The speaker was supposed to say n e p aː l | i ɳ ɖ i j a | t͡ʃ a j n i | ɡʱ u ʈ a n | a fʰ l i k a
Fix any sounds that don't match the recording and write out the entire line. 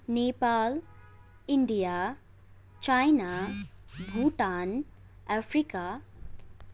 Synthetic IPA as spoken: n e p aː l | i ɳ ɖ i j a | t͡ʃ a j n a | bʱ u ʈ a n | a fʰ ɾ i k a